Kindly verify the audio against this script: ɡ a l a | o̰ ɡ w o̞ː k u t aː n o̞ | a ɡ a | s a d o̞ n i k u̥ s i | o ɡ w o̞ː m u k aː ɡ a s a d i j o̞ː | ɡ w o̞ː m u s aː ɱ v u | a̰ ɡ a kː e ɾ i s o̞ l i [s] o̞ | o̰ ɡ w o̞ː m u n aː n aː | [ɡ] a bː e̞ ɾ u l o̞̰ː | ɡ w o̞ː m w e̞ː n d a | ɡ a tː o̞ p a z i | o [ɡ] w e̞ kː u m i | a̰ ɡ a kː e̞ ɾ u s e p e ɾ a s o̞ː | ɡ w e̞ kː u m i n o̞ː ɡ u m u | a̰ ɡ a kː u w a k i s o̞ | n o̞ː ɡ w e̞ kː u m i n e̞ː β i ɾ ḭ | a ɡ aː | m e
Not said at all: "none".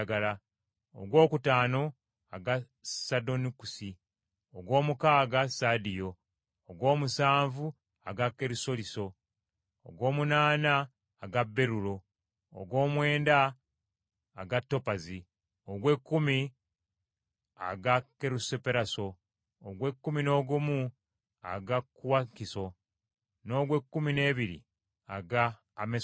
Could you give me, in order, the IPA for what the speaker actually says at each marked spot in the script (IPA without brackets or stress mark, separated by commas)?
s, ɡ, ɡ